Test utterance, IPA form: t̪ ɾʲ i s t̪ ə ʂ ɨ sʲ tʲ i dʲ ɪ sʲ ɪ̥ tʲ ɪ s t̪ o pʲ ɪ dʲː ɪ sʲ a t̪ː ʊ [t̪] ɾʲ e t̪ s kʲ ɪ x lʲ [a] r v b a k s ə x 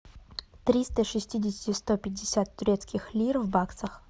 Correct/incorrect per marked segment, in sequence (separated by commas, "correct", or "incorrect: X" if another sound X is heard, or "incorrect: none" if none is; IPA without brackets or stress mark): incorrect: none, incorrect: i